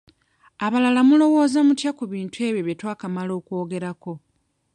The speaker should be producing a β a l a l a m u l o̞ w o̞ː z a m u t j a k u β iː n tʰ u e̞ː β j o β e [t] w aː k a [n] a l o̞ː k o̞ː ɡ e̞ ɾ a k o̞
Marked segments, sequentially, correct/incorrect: correct, incorrect

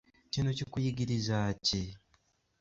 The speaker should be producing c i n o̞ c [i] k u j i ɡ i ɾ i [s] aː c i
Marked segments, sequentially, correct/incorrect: correct, incorrect

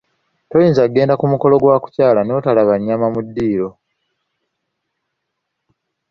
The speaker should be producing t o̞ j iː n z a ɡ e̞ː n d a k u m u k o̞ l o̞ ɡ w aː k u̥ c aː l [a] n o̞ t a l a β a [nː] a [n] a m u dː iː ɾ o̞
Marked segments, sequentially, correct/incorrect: correct, incorrect, incorrect

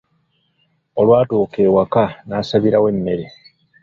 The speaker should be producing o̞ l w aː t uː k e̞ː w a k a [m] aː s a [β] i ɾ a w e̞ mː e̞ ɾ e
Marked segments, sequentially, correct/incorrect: incorrect, correct

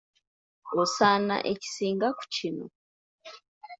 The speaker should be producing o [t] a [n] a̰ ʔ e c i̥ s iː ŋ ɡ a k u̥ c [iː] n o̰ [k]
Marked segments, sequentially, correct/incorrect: incorrect, correct, incorrect, incorrect

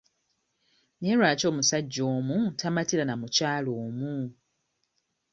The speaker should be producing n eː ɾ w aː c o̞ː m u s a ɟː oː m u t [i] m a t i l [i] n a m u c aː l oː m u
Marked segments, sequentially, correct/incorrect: incorrect, incorrect

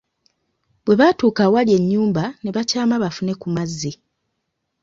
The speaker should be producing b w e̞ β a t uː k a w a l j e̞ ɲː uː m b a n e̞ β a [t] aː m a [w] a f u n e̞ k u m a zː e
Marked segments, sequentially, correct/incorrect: incorrect, incorrect

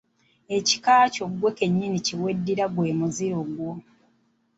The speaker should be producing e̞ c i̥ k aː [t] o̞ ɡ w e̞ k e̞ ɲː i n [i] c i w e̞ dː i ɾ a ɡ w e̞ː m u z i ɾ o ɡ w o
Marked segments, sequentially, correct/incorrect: incorrect, correct

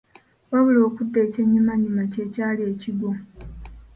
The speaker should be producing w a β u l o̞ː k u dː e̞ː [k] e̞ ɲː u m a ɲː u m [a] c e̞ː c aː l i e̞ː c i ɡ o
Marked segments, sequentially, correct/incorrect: incorrect, correct

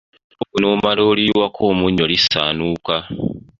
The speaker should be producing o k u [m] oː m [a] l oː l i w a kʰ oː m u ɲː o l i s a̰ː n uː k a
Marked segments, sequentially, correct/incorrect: incorrect, correct

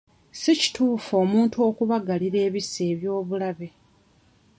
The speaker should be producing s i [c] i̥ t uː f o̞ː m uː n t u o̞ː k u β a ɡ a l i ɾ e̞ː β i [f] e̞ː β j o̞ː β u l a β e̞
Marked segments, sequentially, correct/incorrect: correct, incorrect

